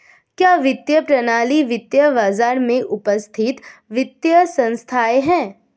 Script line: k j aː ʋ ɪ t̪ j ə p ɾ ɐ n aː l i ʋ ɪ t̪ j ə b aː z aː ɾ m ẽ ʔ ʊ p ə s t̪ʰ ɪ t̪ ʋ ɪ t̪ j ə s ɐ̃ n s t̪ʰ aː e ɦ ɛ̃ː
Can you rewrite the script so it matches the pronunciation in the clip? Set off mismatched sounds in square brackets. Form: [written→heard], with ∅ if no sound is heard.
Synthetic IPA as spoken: k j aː ʋ ɪ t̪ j ə p ɾ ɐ n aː l i ʋ ɪ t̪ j ə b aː z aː ɾ m ẽ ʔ ʊ p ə s t̪ʰ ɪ t̪ ʋ ɪ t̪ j ə s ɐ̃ n s t̪ʰ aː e ɦ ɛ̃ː